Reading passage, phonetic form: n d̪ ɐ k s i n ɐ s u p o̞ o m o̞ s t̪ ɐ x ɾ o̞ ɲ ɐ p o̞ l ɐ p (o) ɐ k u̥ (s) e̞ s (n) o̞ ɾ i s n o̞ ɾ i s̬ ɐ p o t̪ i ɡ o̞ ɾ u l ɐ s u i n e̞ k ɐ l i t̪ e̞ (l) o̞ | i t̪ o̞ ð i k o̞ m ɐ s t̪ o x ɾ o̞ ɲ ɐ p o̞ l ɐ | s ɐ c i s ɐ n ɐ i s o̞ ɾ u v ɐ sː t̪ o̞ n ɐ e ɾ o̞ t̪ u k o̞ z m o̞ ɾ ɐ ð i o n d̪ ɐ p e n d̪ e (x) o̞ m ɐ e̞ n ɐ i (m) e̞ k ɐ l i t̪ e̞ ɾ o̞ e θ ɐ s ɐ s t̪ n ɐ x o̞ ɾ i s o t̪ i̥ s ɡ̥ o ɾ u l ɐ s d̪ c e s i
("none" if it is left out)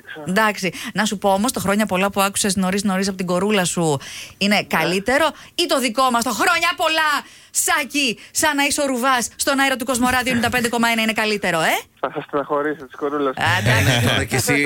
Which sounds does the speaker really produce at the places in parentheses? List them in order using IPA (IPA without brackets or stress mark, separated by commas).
u, s, n, ɾ, k, n